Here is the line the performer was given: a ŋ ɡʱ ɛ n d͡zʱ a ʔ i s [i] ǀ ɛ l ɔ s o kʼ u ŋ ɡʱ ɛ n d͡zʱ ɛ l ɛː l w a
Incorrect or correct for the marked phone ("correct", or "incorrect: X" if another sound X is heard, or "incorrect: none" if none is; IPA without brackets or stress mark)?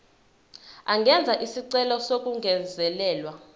correct